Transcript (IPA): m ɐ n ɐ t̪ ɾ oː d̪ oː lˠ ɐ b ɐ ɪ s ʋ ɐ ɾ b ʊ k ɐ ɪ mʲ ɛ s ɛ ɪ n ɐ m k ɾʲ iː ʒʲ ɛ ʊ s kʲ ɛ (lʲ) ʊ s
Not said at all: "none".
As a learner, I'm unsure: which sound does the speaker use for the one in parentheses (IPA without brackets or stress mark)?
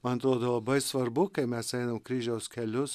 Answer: lʲ